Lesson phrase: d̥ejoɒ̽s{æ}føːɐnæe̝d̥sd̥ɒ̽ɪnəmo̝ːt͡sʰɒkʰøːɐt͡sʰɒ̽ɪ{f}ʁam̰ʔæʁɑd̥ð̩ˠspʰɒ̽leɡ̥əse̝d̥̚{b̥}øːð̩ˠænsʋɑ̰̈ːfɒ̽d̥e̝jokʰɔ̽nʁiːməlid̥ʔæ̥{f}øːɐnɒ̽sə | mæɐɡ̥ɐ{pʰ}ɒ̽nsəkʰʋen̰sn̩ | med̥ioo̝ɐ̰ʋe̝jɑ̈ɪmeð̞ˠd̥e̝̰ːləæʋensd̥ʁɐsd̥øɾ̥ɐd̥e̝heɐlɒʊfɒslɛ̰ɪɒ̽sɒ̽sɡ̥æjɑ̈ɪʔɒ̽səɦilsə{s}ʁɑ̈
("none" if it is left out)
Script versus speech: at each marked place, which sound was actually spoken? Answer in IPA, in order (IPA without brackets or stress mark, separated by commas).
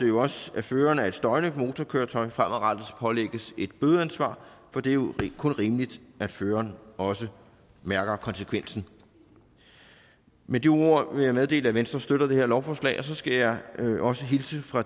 æ, f, b̥, f, kʰ, f